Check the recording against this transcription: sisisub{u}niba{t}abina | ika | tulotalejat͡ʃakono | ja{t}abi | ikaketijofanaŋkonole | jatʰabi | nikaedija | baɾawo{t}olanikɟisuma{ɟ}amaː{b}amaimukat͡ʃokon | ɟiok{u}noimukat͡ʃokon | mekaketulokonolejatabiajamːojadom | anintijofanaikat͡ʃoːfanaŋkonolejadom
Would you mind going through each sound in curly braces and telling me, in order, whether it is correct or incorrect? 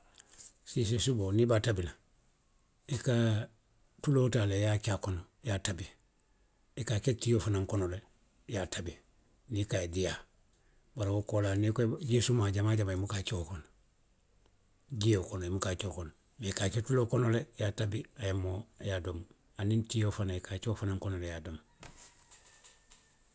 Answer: incorrect, correct, correct, incorrect, correct, incorrect, incorrect

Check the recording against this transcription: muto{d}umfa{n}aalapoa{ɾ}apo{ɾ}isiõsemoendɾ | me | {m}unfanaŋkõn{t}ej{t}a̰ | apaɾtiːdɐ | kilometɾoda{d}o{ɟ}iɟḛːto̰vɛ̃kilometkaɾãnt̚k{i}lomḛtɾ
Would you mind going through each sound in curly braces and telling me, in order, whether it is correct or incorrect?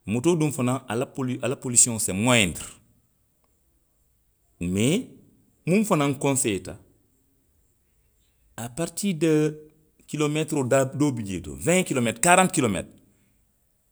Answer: correct, correct, incorrect, incorrect, correct, incorrect, correct, correct, incorrect, correct

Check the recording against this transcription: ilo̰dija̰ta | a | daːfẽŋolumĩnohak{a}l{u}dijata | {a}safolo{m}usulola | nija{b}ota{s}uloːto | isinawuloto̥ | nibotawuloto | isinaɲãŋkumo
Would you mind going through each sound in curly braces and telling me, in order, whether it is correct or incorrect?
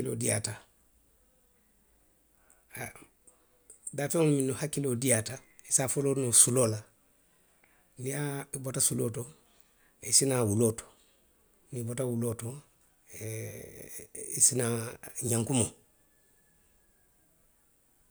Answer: incorrect, incorrect, incorrect, incorrect, correct, correct

